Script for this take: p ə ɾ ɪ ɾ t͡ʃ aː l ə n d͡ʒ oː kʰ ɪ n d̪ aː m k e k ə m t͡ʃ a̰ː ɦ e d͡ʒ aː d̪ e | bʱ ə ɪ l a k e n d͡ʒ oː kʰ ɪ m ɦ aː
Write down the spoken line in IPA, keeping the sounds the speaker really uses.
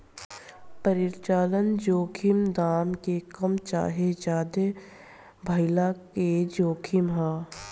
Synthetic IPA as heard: p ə ɾ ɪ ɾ t͡ʃ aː l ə n d͡ʒ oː kʰ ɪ m d̪ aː m k e k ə m t͡ʃ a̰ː ɦ e d͡ʒ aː d̪ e | bʱ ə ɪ l a k e d͡ʒ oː kʰ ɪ m ɦ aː